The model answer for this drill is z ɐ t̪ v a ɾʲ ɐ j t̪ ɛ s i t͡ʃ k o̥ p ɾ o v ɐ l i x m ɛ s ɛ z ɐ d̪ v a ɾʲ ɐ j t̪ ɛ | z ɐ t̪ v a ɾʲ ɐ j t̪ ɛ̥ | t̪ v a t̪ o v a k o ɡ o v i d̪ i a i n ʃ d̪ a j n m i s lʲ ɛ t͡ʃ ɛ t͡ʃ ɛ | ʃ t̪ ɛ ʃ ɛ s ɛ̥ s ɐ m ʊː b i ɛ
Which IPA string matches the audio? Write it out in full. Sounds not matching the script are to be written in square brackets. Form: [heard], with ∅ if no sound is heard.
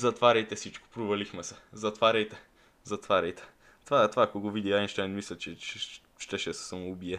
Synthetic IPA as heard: z ɐ t̪ v a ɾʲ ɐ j t̪ ɛ s i t͡ʃ k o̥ p ɾ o v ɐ l i x m ɛ s ɛ z ɐ [t̪] v a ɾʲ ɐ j t̪ ɛ | z ɐ t̪ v a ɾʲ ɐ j t̪ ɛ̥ | t̪ v a t̪ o v a k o ɡ o v i d̪ i a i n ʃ [t̪] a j n m i s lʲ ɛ t͡ʃ ɛ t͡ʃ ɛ | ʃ t̪ ɛ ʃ ɛ s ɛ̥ s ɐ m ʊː b i ɛ